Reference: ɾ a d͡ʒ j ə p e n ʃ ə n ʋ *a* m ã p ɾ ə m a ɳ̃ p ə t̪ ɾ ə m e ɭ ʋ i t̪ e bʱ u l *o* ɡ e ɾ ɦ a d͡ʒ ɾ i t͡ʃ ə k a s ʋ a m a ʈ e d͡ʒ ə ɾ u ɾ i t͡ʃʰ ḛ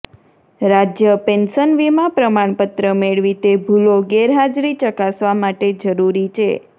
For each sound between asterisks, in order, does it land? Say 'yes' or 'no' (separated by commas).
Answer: no, yes